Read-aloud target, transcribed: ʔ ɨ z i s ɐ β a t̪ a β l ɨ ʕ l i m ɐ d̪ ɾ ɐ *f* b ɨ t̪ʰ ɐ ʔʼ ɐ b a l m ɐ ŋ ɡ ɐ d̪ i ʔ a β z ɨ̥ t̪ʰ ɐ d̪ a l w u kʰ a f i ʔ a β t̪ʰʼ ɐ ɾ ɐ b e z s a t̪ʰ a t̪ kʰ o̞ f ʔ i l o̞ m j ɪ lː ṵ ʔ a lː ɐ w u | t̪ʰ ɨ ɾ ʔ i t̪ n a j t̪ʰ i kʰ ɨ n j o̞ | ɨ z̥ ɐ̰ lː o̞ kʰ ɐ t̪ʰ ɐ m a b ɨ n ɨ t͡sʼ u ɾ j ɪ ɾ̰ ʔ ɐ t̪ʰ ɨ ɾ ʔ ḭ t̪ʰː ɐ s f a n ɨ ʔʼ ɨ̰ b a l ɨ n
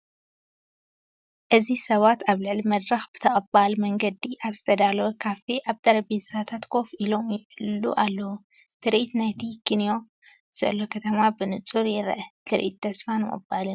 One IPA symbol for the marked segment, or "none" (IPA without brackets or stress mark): x